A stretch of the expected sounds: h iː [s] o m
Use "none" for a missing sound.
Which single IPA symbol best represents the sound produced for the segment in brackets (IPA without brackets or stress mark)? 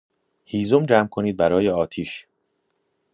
z